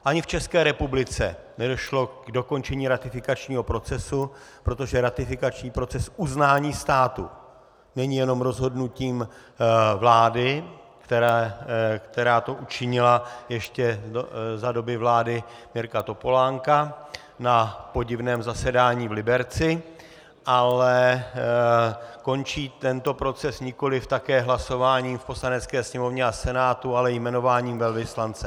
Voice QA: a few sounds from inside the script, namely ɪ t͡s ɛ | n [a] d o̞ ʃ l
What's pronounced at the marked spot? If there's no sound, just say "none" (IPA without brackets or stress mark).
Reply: ɛ